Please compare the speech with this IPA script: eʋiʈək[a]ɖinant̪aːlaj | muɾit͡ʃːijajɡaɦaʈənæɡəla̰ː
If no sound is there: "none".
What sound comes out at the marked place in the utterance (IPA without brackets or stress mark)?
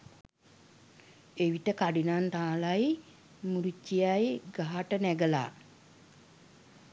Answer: a